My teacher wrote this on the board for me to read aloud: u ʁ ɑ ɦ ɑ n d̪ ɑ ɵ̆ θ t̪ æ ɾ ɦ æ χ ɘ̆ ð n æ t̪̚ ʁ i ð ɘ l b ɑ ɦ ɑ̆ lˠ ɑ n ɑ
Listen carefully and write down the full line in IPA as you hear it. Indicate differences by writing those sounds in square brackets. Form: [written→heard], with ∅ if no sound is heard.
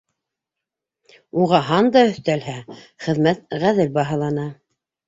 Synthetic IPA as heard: u ʁ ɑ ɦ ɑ n d̪ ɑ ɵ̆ θ t̪ æ [ɾ→l] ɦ æ χ ɘ̆ ð [n→m] æ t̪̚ ʁ [i→æ] ð ɘ l b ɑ ɦ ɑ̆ lˠ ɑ n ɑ